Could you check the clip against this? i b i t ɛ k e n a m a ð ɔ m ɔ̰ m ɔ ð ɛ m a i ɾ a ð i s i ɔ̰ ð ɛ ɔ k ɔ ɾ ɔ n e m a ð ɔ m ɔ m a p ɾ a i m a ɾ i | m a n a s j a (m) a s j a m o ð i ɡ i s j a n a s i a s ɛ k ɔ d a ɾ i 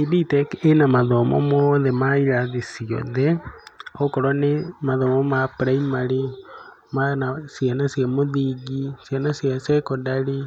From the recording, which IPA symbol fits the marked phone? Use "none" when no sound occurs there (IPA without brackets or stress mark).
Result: n